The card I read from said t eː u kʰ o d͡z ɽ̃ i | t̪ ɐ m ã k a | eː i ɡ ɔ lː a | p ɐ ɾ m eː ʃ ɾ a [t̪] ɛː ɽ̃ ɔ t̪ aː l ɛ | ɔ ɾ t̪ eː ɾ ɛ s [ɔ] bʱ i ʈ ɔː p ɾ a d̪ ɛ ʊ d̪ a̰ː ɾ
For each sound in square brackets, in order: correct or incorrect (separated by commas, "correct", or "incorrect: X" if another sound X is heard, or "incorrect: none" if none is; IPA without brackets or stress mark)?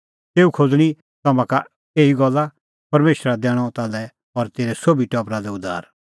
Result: incorrect: d̪, incorrect: o